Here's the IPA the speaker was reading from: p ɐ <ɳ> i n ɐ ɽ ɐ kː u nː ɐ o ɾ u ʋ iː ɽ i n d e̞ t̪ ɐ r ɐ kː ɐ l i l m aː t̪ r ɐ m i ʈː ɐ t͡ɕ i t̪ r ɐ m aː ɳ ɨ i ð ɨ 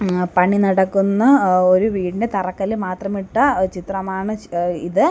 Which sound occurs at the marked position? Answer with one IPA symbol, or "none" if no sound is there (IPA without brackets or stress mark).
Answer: ɳ